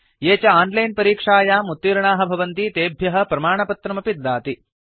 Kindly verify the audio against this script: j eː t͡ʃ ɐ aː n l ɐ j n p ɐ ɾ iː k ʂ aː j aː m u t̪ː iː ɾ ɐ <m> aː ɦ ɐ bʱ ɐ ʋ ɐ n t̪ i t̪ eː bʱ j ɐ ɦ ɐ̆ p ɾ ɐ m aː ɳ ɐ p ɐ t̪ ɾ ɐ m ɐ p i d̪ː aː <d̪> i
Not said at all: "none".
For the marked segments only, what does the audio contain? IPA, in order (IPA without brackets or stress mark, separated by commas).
ɳ, t̪